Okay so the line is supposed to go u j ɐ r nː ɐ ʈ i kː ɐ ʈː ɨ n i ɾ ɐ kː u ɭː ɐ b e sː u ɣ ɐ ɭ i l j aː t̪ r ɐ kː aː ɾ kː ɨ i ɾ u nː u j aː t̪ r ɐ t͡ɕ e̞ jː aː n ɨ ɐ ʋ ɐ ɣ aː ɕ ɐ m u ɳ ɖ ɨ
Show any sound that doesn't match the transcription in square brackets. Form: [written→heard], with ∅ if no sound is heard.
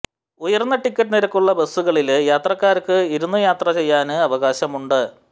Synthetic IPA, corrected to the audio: u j ɐ r nː ɐ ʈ i kː ɐ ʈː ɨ n i ɾ ɐ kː u ɭː ɐ b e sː u ɣ ɐ ɭ i l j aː t̪ r ɐ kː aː ɾ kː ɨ i ɾ u nː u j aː t̪ r ɐ t͡ɕ e̞ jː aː n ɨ ɐ ʋ ɐ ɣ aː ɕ ɐ m u ɳ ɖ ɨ

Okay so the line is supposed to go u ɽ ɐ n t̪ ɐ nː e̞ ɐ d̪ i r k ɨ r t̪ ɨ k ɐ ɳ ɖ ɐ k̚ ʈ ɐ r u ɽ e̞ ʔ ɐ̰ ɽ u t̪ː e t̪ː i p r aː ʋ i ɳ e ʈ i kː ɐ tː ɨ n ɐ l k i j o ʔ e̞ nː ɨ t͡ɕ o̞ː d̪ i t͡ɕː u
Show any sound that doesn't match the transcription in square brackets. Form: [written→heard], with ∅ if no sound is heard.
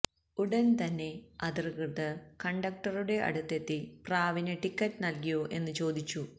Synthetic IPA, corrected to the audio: u ɽ ɐ n t̪ ɐ nː e̞ ɐ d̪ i r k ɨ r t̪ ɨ k ɐ ɳ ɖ ɐ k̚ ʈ ɐ r u ɽ e̞ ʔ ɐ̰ ɽ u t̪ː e t̪ː i p r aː ʋ i [ɳ→n] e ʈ i kː ɐ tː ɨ n ɐ l k i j o ʔ e̞ nː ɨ t͡ɕ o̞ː d̪ i t͡ɕː u

